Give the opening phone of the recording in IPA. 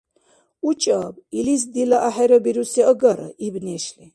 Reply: u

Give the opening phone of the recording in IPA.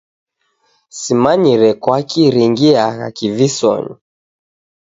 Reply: s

